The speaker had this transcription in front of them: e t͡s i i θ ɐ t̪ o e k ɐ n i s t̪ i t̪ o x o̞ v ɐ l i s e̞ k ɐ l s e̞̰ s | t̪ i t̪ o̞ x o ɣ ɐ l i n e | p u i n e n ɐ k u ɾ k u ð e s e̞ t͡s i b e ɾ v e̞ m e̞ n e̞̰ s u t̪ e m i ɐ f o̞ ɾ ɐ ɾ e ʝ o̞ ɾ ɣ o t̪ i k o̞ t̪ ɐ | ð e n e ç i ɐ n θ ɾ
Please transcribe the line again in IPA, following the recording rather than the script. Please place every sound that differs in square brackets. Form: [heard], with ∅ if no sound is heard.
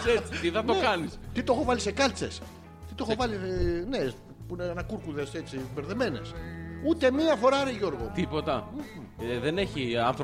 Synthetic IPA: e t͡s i i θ ɐ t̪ o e k ɐ n i s t̪ i t̪ o x o̞ v ɐ l i s e̞ k ɐ l [t͡s] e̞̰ s | t̪ i t̪ o̞ x o [v] ɐ l i n e | p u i n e n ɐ k u ɾ k u ð e s e̞ t͡s i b e ɾ [ð] e̞ m e̞ n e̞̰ s u t̪ e m i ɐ f o̞ ɾ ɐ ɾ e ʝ o̞ ɾ ɣ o t̪ i [p] o̞ t̪ ɐ | ð e n e ç i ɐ n θ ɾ